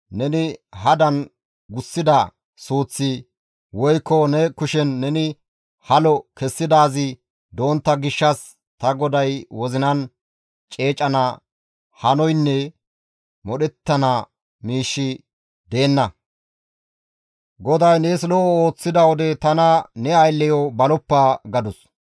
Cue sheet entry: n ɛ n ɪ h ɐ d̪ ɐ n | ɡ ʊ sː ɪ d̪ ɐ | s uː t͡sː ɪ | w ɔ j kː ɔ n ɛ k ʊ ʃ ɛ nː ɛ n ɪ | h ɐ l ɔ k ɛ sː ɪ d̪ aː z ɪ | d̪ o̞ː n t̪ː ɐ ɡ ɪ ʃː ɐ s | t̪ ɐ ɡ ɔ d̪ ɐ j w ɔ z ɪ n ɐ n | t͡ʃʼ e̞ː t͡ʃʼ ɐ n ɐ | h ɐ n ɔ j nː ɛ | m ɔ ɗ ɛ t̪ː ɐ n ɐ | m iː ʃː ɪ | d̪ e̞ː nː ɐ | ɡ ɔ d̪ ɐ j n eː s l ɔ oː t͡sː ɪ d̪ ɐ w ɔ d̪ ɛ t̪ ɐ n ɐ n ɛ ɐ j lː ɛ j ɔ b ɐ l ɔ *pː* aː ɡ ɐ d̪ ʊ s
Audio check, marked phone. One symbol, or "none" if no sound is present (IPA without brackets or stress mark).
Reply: pː